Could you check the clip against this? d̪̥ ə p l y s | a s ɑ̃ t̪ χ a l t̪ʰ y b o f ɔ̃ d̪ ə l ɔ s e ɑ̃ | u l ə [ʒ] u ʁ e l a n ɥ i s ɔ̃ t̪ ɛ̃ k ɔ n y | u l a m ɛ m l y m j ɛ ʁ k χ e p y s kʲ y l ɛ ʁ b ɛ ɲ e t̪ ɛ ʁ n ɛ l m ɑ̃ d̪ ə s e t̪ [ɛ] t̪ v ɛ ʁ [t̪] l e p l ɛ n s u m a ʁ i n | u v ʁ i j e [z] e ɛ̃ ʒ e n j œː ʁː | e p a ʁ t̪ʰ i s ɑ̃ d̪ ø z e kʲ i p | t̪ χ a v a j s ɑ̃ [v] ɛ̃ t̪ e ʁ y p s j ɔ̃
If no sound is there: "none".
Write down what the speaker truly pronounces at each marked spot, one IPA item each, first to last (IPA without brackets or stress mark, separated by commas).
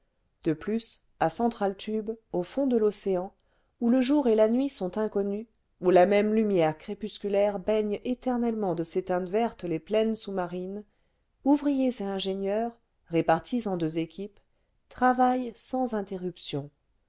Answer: ʒ, ɛ̃, t̪, z, z